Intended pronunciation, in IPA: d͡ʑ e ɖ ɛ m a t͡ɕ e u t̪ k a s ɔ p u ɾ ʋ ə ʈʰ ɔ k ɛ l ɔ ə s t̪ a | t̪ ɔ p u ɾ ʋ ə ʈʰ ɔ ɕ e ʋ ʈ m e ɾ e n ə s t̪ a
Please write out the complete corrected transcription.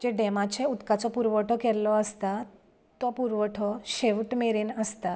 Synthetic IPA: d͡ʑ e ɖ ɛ m a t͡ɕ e u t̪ k a t͡s ɔ p u ɾ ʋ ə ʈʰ ɔ k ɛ l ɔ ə s t̪ a | t̪ ɔ p u ɾ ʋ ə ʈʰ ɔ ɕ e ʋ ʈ m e ɾ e n ə s t̪ a